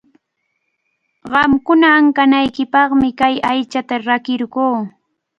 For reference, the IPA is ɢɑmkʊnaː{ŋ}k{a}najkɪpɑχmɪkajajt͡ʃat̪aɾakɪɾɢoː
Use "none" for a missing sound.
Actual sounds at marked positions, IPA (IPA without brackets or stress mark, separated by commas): ŋ, a